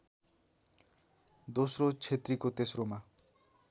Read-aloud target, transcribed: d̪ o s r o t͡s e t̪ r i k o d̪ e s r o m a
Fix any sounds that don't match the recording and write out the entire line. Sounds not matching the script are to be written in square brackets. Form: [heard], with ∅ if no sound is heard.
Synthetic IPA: d̪ o s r o [t͡sʰ] e t̪ r i k o [t̪] e s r o m a